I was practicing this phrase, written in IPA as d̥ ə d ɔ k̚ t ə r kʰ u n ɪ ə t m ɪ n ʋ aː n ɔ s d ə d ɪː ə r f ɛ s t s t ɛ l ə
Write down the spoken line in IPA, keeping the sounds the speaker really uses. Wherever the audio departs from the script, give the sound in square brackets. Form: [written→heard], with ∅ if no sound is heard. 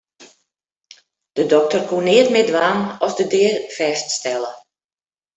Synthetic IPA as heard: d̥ ə d ɔ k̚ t ə r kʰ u n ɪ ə t m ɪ [n→d] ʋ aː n ɔ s d ə d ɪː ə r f ɛ s t s t ɛ l ə